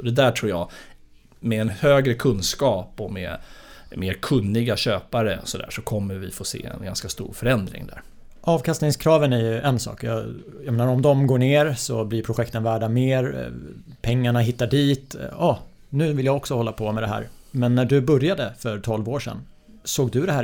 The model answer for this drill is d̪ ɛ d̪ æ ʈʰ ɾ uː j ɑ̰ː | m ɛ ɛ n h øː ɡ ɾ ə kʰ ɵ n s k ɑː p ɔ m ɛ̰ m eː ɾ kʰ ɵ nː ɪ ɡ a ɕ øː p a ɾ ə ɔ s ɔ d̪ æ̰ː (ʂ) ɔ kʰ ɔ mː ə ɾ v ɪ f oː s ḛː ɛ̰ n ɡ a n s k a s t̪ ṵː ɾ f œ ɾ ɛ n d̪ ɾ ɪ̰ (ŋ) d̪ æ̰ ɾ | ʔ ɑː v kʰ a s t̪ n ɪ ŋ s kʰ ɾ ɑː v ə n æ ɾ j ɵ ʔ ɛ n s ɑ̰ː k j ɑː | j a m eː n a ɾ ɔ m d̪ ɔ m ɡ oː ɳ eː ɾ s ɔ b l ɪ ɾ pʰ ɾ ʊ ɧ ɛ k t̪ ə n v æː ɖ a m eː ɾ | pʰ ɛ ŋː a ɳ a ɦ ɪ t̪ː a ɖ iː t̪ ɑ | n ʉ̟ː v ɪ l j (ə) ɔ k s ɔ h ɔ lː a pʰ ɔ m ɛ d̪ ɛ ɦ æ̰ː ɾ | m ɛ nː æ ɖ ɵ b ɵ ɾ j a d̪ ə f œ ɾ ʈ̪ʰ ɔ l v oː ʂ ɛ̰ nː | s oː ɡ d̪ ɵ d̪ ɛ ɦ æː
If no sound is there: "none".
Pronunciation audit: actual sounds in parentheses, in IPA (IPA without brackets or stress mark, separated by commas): ʂ, ŋ, a